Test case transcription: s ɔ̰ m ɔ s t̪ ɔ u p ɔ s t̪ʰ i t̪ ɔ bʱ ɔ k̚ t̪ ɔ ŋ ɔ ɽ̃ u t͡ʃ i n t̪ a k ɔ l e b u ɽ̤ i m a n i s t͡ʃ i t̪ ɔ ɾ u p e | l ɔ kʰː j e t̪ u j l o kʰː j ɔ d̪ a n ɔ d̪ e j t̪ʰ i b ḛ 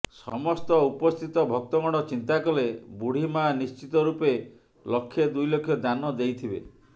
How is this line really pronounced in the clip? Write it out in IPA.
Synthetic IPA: s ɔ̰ m ɔ s t̪ ɔ u p ɔ s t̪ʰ i t̪ ɔ bʱ ɔ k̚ t̪ ɔ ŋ ɔ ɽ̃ ɔ t͡ʃ i n t̪ a k ɔ l e b u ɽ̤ i m a n i s t͡ʃ i t̪ ɔ ɾ u p e | l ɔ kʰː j e d̪ u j l o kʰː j ɔ d̪ a n ɔ d̪ e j t̪ʰ i b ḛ